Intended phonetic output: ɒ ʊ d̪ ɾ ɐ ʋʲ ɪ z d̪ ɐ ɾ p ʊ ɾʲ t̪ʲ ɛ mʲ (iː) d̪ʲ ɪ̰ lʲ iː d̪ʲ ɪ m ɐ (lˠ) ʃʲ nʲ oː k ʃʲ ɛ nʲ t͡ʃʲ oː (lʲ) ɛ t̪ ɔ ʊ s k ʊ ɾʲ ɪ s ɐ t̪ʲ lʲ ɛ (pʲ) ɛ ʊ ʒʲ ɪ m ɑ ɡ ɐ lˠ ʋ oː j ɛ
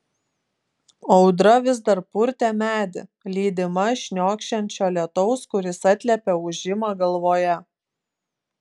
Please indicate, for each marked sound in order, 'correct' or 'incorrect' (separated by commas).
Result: incorrect, incorrect, correct, correct